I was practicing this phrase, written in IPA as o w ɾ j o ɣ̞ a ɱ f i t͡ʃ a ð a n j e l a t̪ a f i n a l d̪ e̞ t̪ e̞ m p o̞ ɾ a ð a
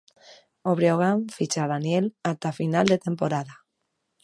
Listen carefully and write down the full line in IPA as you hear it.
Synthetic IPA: o β ɾ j o ɣ̞ a ɱ f i t͡ʃ a ð a n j e l a t̪ a f i n a l d̪ e̞ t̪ e̞ m p o̞ ɾ a ð a